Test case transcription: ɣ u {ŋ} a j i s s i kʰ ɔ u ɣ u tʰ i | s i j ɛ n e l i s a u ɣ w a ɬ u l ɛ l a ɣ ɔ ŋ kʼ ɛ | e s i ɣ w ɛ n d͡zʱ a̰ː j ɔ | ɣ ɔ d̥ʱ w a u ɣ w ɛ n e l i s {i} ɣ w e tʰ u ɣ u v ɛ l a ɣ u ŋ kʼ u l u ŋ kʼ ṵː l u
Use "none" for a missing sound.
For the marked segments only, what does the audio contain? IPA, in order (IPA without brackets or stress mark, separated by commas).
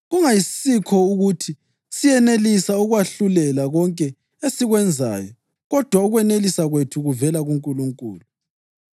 ŋ, a